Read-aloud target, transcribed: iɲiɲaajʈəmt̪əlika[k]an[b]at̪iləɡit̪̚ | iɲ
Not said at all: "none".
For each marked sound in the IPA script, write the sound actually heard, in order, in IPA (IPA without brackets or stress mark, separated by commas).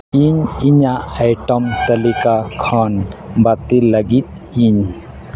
kʰ, b